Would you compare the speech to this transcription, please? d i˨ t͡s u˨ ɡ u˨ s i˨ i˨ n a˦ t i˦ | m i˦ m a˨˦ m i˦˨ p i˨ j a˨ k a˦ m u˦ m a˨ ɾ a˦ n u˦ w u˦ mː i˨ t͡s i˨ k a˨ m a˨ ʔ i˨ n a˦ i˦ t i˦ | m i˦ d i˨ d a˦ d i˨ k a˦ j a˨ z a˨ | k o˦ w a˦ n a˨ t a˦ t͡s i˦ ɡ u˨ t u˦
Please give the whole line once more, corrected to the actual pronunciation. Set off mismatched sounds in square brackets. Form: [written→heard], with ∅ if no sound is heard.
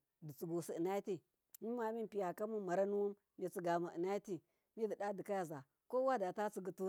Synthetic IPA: d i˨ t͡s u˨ ɡ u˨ s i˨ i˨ n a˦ t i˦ | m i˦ m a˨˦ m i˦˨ p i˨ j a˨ k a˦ m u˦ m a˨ ɾ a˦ n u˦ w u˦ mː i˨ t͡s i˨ [k→ɡ] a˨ m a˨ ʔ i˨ n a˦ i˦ t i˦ | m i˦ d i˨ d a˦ d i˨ k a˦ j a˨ z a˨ | k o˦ w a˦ [n→d] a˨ t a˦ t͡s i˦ ɡ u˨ t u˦